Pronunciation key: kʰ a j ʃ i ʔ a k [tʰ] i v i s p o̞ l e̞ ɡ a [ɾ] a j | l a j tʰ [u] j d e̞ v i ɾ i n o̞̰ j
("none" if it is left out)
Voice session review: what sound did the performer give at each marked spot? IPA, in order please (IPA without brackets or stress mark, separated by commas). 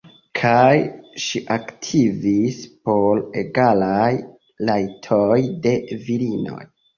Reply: tʰ, l, o